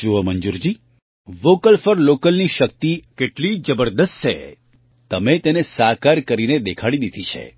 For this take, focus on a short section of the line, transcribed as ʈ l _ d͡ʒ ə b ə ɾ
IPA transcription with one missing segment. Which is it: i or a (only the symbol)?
i